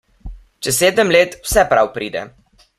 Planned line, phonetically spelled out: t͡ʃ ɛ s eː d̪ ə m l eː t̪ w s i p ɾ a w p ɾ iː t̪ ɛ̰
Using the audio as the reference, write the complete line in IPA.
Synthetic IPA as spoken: t͡ʃ ɛ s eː d̪ ə m l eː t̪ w s ɛ p ɾ a w p ɾ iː d̪ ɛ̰

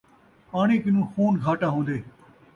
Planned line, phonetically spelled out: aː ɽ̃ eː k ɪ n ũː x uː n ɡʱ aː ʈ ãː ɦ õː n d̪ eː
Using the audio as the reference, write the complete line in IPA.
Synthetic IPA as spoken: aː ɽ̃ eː k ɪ n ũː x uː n ɡʱ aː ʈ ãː ɦ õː n d̪ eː

